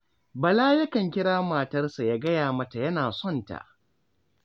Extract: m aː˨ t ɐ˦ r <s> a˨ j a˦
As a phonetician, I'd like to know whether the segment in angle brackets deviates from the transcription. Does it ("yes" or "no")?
no